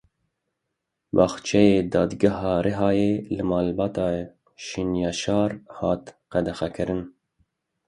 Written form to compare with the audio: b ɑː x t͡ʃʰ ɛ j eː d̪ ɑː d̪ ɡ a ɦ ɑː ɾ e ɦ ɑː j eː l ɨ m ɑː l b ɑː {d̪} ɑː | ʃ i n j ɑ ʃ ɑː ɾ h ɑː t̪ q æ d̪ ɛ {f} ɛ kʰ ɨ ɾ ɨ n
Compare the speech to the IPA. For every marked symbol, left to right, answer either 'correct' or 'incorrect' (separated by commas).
incorrect, incorrect